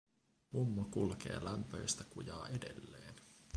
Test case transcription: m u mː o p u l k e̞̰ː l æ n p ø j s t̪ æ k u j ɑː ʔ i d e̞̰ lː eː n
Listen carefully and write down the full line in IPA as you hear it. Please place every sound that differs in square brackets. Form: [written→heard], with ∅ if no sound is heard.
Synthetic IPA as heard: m u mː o [p→k] u l k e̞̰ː l æ [n→m] p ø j s t̪ æ k u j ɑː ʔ [i→e] d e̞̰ lː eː n